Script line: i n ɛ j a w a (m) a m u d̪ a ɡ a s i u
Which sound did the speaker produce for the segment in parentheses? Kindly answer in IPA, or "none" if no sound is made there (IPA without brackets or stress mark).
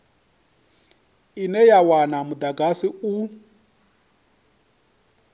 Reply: n